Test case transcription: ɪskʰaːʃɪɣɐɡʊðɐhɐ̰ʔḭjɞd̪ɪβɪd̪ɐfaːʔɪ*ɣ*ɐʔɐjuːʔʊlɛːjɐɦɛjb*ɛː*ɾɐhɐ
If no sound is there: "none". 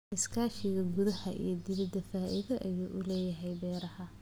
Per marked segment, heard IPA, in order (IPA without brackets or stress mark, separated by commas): ð, ɛː